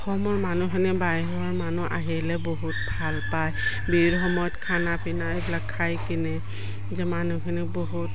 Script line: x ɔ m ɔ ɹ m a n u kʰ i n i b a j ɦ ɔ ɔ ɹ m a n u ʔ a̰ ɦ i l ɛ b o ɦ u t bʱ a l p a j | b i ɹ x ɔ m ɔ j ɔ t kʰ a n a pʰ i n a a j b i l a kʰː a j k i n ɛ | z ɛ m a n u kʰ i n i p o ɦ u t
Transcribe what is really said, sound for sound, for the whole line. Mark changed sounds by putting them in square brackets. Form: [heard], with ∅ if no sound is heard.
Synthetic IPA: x ɔ m ɔ ɹ m a n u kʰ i n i b a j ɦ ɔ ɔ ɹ m a n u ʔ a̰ ɦ i l ɛ b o ɦ u t bʱ a l p a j | b i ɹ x ɔ m ɔ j ɔ t kʰ a n a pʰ i n a [e] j b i l a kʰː a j k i n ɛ | z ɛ m a n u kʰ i n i [b] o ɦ u t